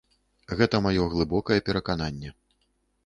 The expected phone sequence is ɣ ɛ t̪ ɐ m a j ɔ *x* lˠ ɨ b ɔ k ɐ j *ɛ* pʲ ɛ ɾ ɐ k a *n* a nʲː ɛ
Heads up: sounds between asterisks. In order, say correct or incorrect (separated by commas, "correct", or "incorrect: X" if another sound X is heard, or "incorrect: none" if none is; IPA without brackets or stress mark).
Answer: incorrect: ɣ, correct, correct